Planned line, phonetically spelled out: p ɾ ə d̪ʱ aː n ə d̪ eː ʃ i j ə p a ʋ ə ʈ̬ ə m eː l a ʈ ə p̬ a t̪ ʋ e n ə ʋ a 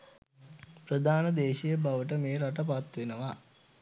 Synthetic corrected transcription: p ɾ ə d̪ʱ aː n ə d̪ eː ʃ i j ə b a ʋ ə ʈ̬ ə m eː ɾ a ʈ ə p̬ a t̪ ʋ e n ə ʋ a